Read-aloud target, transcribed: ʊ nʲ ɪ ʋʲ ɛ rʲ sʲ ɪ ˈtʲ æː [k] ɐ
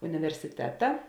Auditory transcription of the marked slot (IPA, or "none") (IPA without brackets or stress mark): t